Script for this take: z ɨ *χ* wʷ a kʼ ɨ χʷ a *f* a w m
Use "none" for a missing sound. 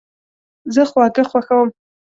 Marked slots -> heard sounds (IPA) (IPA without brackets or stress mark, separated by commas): χ, x